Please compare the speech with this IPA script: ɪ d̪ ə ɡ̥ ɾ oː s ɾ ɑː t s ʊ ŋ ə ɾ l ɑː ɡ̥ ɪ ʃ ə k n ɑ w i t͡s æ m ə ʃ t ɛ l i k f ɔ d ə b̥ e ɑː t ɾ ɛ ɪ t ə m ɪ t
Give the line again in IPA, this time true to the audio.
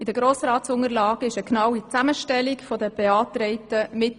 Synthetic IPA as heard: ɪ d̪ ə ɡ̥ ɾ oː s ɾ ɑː t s ʊ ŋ ə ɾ l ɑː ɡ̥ ɪ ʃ ə k n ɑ w i t͡s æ m ə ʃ t ɛ l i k f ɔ d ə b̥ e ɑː t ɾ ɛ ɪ t ə m ɪ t